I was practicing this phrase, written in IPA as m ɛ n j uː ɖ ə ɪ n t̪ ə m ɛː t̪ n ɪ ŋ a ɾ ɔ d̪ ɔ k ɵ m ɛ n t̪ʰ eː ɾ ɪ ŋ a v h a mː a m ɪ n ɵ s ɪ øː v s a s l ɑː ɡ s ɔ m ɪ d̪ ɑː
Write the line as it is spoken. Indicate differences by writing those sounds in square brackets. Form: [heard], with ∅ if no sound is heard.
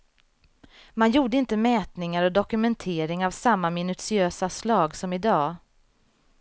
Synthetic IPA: m [a] n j uː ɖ ə ɪ n t̪ ə m ɛː t̪ n ɪ ŋ a ɾ ɔ d̪ ɔ k ɵ m ɛ n t̪ʰ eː ɾ ɪ ŋ a v [s] a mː a m ɪ n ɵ s ɪ øː [∅] s a s l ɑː ɡ s ɔ m ɪ d̪ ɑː